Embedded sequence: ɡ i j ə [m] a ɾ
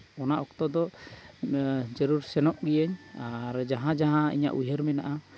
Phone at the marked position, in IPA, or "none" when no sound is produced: ɲ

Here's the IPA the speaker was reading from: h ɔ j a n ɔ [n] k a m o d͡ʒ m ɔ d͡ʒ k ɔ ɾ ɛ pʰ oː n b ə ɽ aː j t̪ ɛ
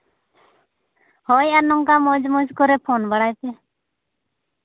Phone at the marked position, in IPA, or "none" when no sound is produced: ŋ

